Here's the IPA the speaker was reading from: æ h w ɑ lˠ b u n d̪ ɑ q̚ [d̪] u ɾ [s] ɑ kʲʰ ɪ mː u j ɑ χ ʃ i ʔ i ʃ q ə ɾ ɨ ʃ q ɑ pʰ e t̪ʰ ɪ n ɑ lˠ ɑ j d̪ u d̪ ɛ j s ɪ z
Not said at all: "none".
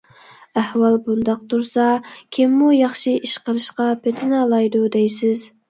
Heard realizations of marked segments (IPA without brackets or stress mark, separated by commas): t̪, s